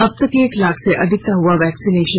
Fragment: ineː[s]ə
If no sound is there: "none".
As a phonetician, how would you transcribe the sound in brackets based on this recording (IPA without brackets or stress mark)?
ʃ